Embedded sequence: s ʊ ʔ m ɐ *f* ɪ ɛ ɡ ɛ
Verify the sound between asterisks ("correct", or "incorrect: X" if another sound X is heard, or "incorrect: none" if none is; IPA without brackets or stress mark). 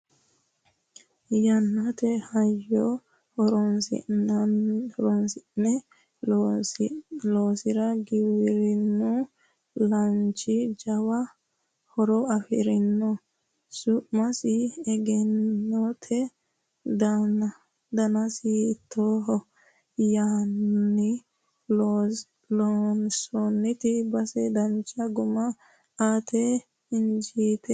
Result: incorrect: s